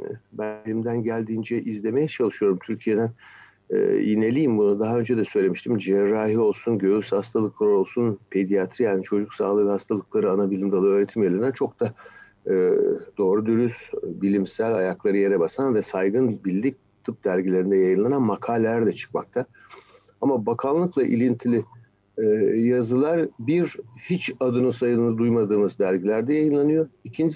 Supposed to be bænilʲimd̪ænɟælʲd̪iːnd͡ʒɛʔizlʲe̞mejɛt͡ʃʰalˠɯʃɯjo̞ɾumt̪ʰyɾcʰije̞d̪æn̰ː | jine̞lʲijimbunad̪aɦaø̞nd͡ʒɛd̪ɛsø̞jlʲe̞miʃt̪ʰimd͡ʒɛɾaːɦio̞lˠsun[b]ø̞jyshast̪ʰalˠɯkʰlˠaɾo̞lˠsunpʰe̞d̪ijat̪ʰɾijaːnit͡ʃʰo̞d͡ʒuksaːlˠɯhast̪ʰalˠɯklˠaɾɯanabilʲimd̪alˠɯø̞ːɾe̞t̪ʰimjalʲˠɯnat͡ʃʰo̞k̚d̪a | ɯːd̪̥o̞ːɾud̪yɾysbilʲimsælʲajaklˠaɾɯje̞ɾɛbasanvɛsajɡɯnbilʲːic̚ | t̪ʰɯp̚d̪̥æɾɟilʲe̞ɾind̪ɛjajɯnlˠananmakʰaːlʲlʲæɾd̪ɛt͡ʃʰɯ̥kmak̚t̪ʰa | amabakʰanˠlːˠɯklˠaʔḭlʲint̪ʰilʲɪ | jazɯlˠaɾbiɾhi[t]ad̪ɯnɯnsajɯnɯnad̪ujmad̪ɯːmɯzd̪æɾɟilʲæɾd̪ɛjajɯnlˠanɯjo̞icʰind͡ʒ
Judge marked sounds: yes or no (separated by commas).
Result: no, no